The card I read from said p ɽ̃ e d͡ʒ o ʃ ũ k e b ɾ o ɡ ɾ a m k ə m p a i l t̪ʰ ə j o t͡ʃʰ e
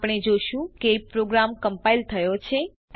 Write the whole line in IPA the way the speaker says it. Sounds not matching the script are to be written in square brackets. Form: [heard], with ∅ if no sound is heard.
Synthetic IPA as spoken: p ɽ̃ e d͡ʒ o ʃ ũ k e [p] ɾ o ɡ ɾ a m k ə m p a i l t̪ʰ ə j o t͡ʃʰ e